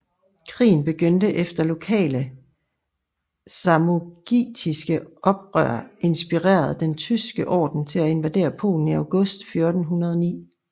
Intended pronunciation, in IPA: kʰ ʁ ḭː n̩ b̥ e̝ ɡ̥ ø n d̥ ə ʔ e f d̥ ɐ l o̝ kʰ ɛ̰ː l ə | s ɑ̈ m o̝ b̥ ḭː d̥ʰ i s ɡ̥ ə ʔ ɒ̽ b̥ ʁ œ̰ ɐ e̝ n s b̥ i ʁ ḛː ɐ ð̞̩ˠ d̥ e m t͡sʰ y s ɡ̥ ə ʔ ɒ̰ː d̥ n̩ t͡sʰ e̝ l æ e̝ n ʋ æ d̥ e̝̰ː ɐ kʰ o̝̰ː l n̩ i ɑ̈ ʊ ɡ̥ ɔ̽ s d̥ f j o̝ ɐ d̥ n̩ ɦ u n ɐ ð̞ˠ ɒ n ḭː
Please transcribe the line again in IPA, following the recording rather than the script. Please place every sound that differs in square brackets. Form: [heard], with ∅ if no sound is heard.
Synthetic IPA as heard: kʰ ʁ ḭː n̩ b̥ e̝ ɡ̥ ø n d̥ ə ʔ e f d̥ ɐ l o̝ kʰ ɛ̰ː l ə | s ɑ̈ m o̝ [ɡ̥] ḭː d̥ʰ i s ɡ̥ ə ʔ ɒ̽ b̥ ʁ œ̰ ɐ e̝ n s b̥ i ʁ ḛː ɐ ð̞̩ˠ d̥ e [n] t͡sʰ y s ɡ̥ ə ʔ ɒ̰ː d̥ n̩ t͡sʰ e̝ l æ e̝ n ʋ æ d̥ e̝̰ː ɐ [pʰ] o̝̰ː l n̩ i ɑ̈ ʊ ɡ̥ ɔ̽ s d̥ f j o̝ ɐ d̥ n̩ ɦ u n ɐ ð̞ˠ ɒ n ḭː